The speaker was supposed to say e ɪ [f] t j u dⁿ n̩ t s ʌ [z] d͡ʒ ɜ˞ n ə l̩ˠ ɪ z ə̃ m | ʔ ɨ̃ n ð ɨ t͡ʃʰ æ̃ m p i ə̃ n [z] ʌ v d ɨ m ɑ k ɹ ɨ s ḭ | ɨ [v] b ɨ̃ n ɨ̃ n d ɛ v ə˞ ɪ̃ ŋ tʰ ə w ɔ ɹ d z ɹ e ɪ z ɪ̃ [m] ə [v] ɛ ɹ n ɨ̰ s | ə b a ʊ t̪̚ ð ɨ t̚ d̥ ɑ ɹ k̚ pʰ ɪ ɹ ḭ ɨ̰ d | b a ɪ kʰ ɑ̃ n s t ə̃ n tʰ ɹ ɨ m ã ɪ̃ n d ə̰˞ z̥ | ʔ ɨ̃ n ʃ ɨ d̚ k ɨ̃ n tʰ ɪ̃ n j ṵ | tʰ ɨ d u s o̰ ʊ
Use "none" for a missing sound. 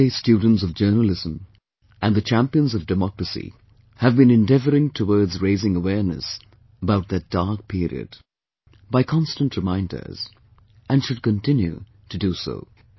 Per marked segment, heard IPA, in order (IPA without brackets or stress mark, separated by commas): s, v, z, v, ŋ, w